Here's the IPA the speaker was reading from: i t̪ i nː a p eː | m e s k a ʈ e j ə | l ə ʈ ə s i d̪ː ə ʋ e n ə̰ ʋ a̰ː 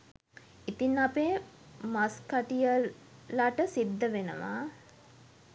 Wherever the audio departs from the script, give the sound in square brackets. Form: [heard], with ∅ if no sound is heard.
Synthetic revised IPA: i t̪ i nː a p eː | m [a] s k a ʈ [i] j ə | l [a] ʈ ə s i d̪ː ə ʋ e n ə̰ ʋ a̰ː

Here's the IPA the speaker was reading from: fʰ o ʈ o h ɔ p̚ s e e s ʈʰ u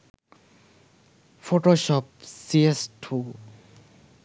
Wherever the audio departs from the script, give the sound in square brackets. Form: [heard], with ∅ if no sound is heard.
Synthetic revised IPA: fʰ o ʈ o [ʃ] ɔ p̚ s [i] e s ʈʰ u

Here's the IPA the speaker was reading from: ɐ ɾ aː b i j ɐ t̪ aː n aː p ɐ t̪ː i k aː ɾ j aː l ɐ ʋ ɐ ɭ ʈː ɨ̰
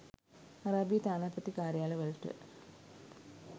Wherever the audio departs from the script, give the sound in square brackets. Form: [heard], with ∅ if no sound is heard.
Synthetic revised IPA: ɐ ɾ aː b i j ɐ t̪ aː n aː p ɐ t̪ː i k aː ɾ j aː l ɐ ʋ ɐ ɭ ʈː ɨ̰

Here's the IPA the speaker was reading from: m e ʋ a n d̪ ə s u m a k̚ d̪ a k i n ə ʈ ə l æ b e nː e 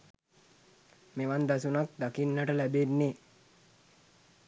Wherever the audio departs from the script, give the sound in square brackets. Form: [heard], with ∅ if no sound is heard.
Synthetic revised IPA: m e ʋ a n d̪ [a] s u [n] a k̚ d̪ a k i [nː] ə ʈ ə l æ b e nː e

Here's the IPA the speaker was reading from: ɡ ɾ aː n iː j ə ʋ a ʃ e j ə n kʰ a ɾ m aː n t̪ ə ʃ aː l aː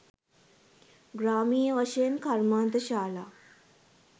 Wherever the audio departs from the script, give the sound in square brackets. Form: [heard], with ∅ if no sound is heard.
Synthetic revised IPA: ɡ ɾ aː [m] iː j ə ʋ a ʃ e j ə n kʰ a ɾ m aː n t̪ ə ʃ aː l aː

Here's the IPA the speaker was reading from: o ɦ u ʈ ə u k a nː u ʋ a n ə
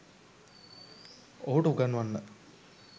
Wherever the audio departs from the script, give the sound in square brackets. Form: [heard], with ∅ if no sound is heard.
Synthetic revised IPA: o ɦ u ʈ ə u [ɡ] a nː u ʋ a [nː] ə

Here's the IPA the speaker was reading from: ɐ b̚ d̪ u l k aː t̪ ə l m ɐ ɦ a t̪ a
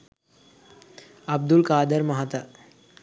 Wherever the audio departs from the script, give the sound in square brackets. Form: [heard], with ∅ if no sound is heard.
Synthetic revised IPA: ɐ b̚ d̪ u l k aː [d̪] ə [ɾ] m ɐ ɦ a t̪ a

